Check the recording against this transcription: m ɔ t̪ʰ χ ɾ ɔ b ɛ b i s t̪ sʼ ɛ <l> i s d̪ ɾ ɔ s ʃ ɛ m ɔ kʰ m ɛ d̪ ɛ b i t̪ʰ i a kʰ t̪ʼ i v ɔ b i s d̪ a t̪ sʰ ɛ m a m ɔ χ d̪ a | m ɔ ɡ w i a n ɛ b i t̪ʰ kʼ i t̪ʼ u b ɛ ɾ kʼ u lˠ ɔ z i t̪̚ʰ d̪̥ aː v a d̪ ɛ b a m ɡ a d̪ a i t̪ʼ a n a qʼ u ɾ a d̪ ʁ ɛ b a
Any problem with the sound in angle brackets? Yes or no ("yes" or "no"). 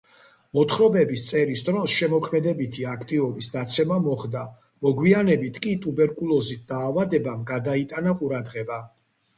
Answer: yes